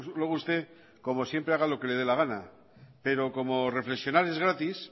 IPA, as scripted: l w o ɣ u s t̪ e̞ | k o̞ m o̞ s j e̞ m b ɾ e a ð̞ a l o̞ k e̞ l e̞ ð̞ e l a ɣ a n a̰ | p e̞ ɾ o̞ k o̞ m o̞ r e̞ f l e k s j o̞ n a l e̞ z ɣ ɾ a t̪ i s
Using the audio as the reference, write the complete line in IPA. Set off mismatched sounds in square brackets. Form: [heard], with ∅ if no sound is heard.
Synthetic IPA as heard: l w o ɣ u s t̪ e̞ | k o̞ m o̞ s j e̞ m [p] ɾ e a [ɣ̞] a l o̞ k e̞ l e̞ ð̞ e l a ɣ a n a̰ | p e̞ ɾ o̞ k o̞ m o̞ r e̞ f l e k s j o̞ n a [ɾ] e̞ z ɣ ɾ a t̪ i s